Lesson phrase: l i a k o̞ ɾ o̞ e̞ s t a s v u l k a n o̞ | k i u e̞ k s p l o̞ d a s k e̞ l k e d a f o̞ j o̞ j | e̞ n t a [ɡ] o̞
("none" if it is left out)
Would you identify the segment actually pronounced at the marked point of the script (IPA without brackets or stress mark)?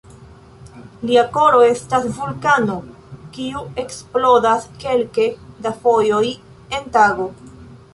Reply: ɡ